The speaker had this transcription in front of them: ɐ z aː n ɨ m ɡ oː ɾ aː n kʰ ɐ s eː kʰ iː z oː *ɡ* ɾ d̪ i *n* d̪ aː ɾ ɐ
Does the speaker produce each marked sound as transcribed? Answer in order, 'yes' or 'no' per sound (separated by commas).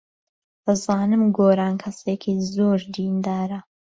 no, yes